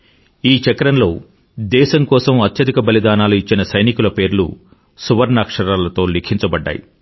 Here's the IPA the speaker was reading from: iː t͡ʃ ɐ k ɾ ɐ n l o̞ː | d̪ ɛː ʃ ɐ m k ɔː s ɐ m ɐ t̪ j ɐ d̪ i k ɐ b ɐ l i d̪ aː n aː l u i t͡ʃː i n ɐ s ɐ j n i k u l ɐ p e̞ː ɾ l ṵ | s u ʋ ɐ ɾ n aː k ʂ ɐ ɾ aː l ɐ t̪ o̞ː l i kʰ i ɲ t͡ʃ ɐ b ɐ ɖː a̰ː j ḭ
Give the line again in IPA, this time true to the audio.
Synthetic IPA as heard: iː t͡ʃ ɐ k ɾ ɐ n l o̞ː | d̪ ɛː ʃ ɐ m k ɔː s ɐ m ɐ t̪ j ɐ d̪ i k ɐ b ɐ l i d̪ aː n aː l u i t͡ʃː i n ɐ s ɐ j n i k u l ɐ p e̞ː ɾ l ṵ | s u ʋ ɐ ɾ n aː k ʂ ɐ ɾ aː l ɐ t̪ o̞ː l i kʰ i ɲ t͡ʃ ɐ b ɐ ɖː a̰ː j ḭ